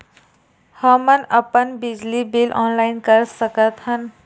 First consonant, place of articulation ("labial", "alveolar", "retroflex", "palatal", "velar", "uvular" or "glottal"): glottal